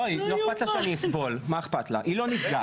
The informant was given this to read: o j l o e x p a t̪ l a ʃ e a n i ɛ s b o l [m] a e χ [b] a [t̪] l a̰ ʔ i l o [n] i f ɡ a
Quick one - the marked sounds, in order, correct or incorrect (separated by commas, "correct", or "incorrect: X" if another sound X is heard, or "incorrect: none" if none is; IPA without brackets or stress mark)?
correct, incorrect: p, correct, correct